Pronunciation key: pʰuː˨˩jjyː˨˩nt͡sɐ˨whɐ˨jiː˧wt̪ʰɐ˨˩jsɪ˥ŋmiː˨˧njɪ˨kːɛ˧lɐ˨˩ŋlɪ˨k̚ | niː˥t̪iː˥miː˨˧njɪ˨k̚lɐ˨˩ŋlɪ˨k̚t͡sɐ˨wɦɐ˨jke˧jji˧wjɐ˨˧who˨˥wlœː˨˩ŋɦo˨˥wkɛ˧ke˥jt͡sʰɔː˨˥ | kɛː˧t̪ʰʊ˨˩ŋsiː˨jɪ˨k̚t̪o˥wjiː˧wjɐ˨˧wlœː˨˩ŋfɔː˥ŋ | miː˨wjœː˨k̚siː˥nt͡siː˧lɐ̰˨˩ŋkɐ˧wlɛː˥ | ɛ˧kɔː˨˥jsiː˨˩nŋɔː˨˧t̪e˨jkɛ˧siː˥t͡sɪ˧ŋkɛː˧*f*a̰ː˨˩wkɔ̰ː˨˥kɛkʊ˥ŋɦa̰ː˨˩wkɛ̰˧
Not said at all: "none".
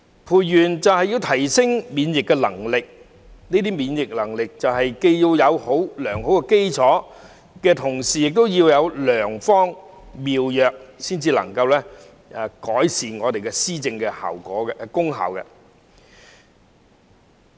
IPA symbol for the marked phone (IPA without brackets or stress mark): h